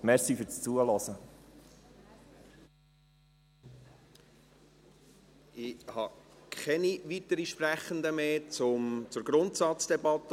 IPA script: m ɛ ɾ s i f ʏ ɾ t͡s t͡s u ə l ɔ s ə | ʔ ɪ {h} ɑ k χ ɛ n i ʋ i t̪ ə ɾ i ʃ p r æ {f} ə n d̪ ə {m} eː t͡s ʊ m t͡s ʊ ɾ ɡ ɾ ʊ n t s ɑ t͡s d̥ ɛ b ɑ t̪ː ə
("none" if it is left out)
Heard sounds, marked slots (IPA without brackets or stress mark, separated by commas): h, χ, m